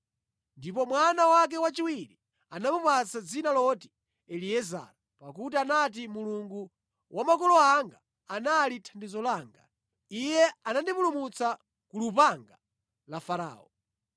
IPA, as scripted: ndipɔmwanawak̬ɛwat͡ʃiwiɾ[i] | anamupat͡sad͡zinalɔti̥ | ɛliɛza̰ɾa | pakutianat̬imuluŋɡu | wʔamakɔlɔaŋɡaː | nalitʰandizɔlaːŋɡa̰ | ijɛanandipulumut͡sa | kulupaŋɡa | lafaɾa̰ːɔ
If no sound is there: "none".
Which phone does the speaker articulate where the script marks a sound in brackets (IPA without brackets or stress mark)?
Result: i